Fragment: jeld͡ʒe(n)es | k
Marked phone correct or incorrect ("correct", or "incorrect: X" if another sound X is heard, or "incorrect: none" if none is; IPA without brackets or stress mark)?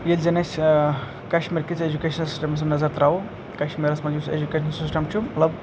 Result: correct